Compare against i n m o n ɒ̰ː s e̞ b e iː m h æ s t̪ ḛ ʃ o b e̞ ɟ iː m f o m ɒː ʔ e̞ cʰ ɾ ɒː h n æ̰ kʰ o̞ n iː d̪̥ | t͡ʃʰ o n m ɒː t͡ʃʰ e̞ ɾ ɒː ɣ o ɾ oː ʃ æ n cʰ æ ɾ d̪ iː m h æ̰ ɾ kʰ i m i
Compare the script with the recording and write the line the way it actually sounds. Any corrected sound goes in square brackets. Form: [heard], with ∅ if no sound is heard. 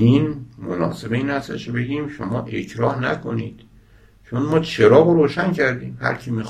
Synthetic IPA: i n m o n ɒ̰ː s e̞ b e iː [n] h æ s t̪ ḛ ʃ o b e̞ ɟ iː m [ʃ] o m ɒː ʔ e̞ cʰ ɾ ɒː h n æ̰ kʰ o̞ n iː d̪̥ | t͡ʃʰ o n m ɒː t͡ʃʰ e̞ ɾ ɒː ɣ o ɾ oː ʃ æ n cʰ æ ɾ d̪ iː m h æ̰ ɾ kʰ i m i